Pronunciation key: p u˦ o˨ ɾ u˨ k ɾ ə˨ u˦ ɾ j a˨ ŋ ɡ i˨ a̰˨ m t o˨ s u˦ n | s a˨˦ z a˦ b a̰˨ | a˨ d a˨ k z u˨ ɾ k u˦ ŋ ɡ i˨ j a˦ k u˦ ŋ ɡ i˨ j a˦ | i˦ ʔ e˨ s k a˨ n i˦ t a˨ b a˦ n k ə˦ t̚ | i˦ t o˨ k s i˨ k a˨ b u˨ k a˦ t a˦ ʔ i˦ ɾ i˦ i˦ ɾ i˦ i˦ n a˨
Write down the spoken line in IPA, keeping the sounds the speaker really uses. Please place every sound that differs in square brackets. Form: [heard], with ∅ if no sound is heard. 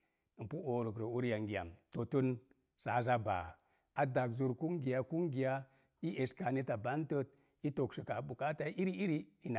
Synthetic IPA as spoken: p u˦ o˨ ɾ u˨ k ɾ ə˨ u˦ ɾ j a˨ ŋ ɡ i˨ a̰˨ m t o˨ [t] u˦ n | s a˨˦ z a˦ b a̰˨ | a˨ d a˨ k z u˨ ɾ k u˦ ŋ ɡ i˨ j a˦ k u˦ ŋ ɡ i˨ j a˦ | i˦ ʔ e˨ s k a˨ n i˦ t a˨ b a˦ n [t] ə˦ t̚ | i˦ t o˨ k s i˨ k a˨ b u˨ k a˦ t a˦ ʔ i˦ ɾ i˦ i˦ ɾ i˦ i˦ n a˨